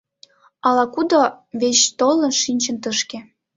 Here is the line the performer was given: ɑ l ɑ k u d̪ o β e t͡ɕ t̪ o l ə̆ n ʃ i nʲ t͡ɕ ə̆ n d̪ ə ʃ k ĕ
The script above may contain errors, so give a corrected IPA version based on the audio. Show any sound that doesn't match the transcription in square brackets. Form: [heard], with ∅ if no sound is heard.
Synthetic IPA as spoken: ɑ l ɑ k u d̪ o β e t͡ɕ t̪ o l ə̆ n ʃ i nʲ t͡ɕ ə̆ n [t̪] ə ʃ k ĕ